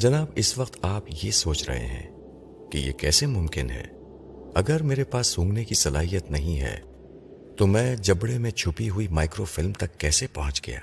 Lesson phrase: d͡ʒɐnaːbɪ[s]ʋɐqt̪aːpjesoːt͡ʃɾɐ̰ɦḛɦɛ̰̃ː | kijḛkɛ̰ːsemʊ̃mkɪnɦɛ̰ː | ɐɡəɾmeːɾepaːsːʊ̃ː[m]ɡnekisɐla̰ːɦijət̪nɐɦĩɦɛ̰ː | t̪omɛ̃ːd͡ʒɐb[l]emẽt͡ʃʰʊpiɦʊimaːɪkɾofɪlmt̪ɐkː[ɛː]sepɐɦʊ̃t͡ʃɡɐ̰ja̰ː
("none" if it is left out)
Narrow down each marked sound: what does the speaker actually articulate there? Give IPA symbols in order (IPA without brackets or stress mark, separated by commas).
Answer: s, ŋ, ɽ, ɛː